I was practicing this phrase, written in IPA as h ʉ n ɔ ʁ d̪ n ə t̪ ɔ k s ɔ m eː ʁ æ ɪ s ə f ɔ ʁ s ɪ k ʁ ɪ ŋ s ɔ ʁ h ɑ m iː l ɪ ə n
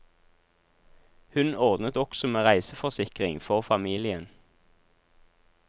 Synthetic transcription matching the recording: h ʉ n ɔ ʁ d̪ n ə t̪ ɔ k s ɔ m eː ʁ æ ɪ s ə f ɔ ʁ s ɪ k ʁ ɪ ŋ f ɔ ʁ f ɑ m iː l ɪ ə n